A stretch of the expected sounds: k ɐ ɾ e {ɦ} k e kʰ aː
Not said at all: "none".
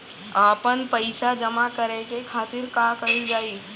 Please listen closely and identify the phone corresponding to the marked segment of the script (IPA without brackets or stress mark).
none